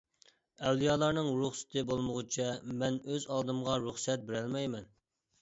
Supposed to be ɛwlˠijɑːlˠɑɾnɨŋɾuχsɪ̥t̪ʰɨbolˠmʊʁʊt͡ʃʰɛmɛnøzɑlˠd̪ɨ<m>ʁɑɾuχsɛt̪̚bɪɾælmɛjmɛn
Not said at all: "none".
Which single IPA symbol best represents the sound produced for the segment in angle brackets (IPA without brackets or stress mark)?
m